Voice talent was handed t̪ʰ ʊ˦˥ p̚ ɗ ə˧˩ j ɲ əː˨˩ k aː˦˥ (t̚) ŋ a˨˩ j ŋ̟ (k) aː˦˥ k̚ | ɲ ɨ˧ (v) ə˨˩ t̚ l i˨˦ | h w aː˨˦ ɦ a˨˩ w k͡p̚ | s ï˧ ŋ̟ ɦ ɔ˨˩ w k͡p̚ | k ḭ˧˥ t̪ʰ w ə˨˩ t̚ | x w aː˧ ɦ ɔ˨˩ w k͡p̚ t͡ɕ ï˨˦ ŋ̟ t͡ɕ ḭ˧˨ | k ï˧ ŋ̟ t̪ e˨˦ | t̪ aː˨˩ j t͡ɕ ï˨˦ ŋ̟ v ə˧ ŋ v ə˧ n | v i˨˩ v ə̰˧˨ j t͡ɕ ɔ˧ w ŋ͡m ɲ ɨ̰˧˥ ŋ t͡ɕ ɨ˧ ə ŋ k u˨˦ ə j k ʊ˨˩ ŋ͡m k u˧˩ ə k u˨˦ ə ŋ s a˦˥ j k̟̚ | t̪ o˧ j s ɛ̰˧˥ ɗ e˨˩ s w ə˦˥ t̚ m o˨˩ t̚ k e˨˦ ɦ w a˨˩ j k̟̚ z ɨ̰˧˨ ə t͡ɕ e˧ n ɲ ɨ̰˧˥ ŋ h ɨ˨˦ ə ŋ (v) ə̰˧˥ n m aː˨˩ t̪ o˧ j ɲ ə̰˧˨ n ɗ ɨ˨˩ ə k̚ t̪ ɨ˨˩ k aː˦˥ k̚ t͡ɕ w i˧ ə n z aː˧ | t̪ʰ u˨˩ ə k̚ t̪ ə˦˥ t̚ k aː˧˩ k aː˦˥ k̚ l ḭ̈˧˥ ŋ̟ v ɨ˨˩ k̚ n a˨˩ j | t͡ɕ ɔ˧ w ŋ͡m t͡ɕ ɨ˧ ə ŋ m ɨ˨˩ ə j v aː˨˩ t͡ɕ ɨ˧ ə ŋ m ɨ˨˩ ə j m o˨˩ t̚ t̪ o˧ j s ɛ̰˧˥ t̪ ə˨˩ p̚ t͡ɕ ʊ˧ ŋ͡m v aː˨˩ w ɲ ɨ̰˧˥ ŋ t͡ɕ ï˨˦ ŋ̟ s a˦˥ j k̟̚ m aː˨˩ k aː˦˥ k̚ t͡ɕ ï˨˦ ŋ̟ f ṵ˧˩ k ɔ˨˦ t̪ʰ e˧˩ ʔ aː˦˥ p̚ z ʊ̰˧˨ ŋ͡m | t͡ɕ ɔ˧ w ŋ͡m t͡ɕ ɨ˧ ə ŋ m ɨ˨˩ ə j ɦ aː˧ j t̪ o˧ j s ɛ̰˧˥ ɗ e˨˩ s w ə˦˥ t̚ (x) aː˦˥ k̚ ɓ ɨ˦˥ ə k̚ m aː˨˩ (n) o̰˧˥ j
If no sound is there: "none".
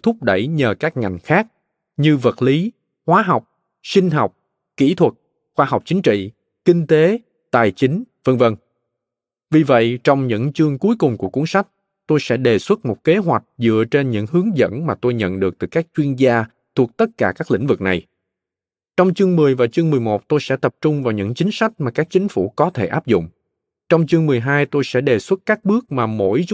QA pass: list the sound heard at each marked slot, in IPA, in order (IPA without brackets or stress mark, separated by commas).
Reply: k̚, x, v, z, k, m